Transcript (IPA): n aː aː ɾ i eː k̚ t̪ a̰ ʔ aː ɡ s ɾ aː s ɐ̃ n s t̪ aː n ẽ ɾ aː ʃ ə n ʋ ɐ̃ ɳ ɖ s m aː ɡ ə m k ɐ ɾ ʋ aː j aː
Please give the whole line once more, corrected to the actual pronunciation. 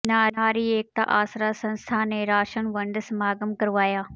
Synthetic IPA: n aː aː ɾ i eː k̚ t̪ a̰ ʔ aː s ɾ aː s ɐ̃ n s t̪ʰ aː n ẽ ɾ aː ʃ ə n ʋ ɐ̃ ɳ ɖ s m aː ɡ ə m k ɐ ɾ ʋ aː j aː